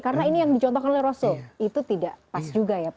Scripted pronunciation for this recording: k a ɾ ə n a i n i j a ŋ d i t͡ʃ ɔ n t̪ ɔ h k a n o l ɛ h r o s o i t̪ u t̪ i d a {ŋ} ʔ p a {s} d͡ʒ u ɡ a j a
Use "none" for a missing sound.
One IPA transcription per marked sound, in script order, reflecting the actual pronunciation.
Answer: none, s

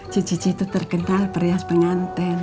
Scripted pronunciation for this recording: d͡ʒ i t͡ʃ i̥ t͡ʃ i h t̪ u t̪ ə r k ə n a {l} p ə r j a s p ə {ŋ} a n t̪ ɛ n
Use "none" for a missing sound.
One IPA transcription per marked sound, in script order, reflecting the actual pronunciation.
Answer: l, ŋ

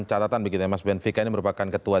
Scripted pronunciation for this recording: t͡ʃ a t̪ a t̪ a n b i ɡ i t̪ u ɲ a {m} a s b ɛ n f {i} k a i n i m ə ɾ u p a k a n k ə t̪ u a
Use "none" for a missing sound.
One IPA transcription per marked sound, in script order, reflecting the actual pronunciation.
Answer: m, i

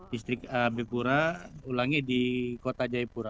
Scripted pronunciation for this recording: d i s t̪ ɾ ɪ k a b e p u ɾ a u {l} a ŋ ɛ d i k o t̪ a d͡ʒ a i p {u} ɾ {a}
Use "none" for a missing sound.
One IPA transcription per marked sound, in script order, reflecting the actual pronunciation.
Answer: l, u, a

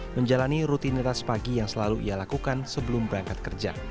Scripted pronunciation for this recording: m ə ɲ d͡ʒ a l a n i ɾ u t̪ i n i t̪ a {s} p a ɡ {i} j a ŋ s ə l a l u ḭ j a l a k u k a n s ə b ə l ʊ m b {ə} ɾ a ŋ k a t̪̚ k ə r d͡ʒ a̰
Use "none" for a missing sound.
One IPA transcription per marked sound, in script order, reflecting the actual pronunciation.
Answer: s, i, ə

